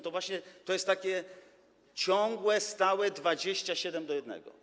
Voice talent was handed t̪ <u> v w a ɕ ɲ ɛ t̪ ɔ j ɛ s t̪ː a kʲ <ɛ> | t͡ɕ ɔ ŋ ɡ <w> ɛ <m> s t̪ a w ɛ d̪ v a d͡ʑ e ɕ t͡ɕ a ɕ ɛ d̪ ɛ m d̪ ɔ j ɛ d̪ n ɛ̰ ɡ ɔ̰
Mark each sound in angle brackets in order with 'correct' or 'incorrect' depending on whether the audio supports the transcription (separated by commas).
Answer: incorrect, correct, correct, incorrect